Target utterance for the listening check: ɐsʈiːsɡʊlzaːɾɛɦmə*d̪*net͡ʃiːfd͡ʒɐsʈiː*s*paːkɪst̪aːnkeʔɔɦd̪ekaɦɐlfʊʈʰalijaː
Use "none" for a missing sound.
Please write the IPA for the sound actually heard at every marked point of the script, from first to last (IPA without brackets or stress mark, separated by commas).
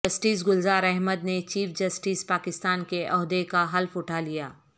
d̪, s